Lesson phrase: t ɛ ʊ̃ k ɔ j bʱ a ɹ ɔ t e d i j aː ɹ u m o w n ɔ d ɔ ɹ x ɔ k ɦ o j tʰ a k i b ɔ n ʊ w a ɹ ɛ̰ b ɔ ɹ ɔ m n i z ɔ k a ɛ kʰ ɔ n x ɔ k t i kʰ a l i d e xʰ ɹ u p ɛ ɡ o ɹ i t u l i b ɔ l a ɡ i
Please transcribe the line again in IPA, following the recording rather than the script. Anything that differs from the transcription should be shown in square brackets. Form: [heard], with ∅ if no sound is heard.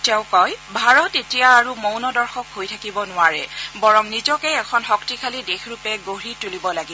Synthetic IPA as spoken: t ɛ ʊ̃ k ɔ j bʱ a ɹ ɔ t e [t] i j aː ɹ u m o w n ɔ d ɔ ɹ x ɔ k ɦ o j tʰ a k i b ɔ n ʊ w a ɹ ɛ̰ b ɔ ɹ ɔ m n i z ɔ k [ɛ] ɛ kʰ ɔ n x ɔ k t i kʰ a l i d e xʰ ɹ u p ɛ ɡ o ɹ i t u l i b ɔ l a ɡ i